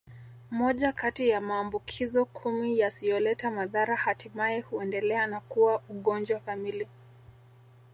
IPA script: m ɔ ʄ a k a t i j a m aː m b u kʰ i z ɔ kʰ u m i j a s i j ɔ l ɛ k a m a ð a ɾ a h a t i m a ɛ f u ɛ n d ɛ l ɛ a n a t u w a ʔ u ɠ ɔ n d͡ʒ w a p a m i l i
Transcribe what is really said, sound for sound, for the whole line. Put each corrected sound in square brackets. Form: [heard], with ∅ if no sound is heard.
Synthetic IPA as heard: m ɔ ʄ a k a t i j a m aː m b u kʰ i z ɔ kʰ u m i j a s i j ɔ l ɛ [t] a m a ð a ɾ a h a t i m a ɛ [h] u ɛ n d ɛ l ɛ a n a [k] u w a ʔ u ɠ ɔ n d͡ʒ w a [k] a m i l i